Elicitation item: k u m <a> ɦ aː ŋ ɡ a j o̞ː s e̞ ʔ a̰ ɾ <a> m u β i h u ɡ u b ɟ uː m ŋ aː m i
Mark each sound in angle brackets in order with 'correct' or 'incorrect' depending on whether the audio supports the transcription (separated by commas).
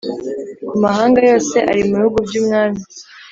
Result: correct, incorrect